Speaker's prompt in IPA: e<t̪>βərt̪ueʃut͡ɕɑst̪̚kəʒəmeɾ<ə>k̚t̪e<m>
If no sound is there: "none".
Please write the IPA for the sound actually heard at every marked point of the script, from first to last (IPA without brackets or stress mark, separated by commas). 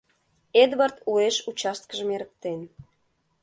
d̪, ə, n